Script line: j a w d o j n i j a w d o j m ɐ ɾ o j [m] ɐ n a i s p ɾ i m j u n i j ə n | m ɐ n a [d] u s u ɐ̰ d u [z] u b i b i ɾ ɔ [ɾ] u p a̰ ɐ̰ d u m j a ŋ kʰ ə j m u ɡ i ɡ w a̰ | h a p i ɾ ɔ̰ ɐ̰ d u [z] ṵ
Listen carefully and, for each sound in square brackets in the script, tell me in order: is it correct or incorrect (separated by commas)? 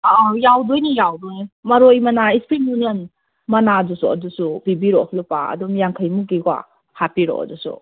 correct, correct, incorrect, incorrect, incorrect